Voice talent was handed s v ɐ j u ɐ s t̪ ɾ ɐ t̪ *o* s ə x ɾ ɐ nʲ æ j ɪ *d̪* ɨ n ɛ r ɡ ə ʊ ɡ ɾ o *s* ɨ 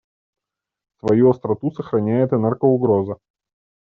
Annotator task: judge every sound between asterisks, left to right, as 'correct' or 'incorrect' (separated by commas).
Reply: incorrect, incorrect, incorrect